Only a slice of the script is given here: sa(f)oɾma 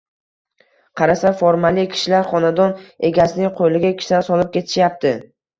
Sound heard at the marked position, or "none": f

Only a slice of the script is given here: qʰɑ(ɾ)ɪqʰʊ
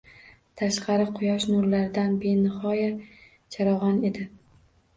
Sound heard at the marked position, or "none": ɾ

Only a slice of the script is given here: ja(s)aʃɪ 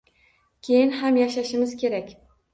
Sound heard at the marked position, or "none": ʃ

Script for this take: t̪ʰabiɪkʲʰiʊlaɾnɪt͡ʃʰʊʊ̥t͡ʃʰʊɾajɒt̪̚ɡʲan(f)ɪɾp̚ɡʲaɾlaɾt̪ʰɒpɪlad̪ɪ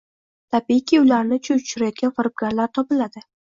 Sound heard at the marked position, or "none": f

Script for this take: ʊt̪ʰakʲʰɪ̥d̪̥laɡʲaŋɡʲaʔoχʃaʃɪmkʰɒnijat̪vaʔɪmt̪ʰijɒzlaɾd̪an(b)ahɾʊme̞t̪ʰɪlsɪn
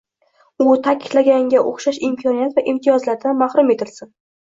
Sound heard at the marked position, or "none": m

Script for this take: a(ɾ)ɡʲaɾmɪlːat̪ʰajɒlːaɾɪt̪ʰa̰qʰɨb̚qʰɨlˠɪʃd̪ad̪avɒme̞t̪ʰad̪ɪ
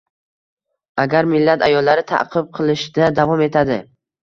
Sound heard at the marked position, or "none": none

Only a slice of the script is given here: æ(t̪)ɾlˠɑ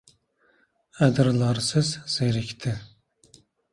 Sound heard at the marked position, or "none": d̪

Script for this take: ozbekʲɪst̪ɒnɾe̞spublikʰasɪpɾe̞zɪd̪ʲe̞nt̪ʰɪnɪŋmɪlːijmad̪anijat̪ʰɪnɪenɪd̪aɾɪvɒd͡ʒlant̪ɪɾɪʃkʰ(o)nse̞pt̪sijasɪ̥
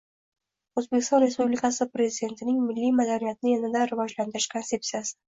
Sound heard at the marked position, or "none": o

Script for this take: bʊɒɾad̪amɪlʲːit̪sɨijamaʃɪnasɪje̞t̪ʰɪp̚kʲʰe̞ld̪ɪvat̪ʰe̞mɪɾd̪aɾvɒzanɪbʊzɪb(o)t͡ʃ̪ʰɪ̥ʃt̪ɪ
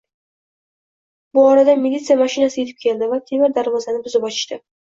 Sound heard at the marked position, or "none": ɒ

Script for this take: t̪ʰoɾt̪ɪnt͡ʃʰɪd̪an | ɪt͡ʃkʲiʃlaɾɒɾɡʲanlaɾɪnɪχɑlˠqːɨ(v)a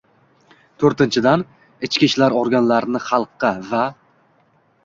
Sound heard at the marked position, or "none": v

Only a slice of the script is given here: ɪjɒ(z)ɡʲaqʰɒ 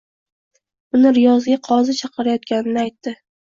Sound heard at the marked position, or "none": z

